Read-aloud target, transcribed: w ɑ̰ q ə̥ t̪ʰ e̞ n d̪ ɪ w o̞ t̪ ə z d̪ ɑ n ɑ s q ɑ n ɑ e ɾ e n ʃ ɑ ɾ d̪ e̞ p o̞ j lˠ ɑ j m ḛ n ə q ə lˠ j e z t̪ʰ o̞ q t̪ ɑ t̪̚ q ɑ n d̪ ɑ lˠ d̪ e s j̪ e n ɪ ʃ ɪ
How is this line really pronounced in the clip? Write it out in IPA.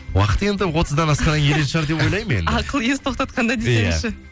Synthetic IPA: w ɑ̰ q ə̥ t̪ e̞ n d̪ ɪ w o̞ t̪ ə z d̪ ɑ n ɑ s q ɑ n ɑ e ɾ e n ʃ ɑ ɾ d̪ e̞ p o̞ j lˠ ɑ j m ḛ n ɑ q ə lˠ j e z t̪ʰ o̞ q t̪ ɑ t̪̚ q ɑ n d̪ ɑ d̪ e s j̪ e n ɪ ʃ ɪ